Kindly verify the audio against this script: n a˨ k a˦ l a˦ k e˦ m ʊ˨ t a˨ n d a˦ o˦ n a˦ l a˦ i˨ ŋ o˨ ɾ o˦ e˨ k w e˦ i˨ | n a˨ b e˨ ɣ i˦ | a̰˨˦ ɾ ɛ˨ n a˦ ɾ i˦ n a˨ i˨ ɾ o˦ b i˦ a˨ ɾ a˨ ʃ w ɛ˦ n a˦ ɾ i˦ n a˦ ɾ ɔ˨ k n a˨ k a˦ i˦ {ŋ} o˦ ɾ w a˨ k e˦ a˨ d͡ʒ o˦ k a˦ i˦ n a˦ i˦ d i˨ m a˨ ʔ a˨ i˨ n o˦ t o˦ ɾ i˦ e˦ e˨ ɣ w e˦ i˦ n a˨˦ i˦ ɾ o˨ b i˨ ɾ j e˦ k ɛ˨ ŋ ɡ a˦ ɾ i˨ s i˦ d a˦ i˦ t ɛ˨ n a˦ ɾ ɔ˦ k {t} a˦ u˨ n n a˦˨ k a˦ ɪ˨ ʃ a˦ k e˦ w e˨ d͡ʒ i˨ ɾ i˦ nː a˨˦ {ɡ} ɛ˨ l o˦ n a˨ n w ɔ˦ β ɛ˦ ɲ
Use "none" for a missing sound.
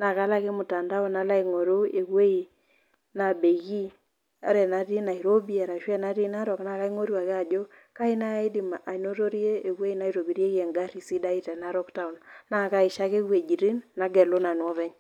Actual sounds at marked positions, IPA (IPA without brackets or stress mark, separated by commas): ŋ, t, ɡ